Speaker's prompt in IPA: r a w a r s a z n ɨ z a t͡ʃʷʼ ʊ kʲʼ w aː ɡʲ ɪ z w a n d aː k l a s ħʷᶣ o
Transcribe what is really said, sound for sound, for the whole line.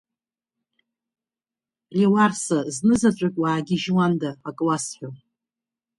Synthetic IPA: r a w a r s a z n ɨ z a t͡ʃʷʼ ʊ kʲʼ w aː ɡʲ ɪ ʒ w a n d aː kʼ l a s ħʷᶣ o